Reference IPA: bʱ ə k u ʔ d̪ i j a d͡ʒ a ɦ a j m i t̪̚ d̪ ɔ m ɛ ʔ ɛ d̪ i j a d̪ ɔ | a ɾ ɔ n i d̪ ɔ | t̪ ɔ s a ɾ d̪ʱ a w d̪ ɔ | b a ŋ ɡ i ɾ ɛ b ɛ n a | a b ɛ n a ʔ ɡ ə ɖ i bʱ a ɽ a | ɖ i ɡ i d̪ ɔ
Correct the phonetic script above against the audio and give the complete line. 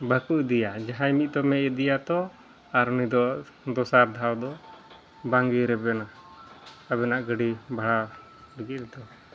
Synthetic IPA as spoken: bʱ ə k u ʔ d̪ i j a d͡ʒ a ɦ a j m i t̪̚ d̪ ɔ m ɛ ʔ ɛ d̪ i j a t̪ ɔ | a ɾ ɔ n i d̪ ɔ | d̪ ɔ s a ɾ d̪ʱ a w d̪ ɔ | b a ŋ ɡ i ɾ ɛ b ɛ n a | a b ɛ n a ʔ ɡ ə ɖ i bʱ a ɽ a | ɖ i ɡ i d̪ ɔ